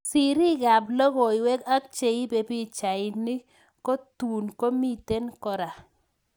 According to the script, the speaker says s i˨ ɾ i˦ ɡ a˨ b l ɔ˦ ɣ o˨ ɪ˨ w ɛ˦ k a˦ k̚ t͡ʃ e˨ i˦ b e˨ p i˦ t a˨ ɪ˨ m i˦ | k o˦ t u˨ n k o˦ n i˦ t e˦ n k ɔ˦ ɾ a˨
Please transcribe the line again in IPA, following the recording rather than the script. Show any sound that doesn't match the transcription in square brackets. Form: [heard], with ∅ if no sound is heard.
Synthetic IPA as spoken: s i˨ ɾ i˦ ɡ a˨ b l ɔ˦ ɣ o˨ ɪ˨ w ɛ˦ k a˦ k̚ t͡ʃ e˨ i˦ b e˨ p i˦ [t͡ʃ] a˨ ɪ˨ [n] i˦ | k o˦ t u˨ n k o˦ [m] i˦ t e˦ n k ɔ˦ ɾ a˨